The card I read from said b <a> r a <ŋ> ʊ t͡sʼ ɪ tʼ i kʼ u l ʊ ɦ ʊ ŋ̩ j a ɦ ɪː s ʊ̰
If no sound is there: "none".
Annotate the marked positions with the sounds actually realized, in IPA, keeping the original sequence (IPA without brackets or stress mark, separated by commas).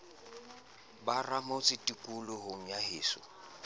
a, m